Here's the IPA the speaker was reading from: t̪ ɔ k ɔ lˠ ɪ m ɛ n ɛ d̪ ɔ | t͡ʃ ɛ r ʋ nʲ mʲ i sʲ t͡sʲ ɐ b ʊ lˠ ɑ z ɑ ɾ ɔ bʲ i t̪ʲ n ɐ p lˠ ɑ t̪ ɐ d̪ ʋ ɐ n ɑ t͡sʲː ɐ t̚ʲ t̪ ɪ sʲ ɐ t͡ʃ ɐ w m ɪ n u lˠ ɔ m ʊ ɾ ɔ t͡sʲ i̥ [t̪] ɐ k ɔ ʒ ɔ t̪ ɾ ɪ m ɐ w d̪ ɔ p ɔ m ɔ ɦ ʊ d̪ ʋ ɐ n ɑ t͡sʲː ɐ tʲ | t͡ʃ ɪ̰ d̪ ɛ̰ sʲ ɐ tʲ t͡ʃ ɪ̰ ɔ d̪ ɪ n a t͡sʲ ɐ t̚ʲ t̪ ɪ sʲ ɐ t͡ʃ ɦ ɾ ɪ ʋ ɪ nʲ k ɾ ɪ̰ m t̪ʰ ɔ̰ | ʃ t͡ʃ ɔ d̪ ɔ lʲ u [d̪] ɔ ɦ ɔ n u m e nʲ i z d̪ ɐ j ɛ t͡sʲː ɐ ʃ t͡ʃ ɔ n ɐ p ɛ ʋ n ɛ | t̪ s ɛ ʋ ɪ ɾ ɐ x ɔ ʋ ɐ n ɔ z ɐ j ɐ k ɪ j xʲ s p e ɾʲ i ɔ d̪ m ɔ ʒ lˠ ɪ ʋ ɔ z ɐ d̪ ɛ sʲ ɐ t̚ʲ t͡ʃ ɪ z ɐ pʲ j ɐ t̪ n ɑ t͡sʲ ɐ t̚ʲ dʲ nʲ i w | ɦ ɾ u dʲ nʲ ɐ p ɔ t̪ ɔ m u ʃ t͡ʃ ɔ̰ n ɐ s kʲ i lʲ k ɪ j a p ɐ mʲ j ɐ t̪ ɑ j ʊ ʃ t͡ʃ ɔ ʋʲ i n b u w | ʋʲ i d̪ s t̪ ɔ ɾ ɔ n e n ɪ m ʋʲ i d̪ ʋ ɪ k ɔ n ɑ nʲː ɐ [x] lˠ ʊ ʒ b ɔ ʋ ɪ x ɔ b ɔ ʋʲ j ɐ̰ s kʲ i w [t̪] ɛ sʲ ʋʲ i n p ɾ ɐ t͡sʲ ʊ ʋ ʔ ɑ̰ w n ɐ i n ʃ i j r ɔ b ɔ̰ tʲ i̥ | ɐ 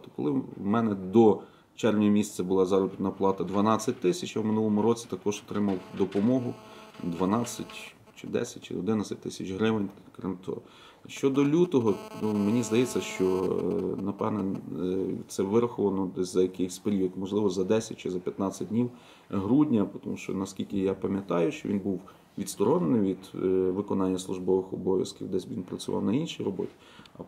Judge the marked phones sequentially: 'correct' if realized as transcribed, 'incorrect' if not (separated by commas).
correct, incorrect, incorrect, incorrect